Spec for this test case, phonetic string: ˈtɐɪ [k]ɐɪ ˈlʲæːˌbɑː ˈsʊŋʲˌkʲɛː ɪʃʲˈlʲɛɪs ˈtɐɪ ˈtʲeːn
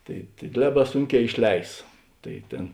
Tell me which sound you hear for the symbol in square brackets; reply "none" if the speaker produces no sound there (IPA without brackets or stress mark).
t